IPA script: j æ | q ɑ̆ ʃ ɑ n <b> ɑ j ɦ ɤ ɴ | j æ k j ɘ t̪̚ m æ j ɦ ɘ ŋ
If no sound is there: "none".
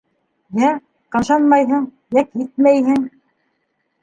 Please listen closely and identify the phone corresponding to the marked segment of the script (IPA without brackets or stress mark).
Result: m